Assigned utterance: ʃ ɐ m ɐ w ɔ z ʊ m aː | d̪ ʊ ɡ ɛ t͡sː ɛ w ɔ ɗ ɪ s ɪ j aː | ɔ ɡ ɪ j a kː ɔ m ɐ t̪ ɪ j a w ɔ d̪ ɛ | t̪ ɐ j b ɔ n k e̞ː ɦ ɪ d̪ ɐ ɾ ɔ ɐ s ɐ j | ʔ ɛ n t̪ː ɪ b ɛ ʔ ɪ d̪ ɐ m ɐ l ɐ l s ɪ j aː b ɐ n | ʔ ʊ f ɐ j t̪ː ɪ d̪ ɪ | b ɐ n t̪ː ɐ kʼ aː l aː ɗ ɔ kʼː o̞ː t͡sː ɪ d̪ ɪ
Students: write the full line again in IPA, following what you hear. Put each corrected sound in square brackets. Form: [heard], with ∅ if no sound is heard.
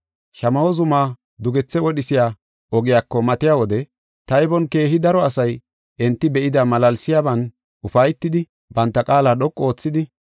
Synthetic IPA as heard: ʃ ɐ m ɐ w ɔ z ʊ m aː | d̪ ʊ ɡ ɛ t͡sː ɛ w ɔ ɗ ɪ s ɪ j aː | ɔ ɡ ɪ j a kː ɔ m ɐ t̪ ɪ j a w ɔ d̪ ɛ | t̪ ɐ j b ɔ n k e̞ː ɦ ɪ d̪ ɐ ɾ ɔ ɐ s ɐ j | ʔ ɛ n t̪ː ɪ b ɛ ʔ ɪ d̪ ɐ m ɐ l ɐ l s ɪ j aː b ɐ n | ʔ ʊ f ɐ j t̪ː ɪ d̪ ɪ | b ɐ n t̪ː ɐ kʼ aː l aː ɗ ɔ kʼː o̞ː t͡sː ɪ d̪ ɪ